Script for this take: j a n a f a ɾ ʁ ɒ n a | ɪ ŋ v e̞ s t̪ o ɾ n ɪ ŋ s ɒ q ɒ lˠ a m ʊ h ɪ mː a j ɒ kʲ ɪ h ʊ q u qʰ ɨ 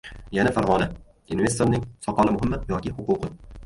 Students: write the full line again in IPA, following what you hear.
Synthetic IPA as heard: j a n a f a ɾ ʁ ɒ n a | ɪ n v e̞ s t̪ o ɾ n ɪ ŋ s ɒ q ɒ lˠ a m ʊ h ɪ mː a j ɒ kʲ ɪ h ʊ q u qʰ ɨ